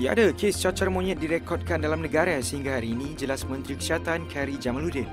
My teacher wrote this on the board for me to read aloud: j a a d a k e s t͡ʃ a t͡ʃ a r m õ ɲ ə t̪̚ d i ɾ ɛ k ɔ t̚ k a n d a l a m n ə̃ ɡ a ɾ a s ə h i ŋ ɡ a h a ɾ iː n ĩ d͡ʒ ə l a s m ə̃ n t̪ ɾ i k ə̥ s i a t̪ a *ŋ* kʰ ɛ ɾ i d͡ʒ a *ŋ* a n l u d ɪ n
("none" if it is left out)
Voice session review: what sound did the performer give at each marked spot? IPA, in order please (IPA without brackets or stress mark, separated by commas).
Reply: n, m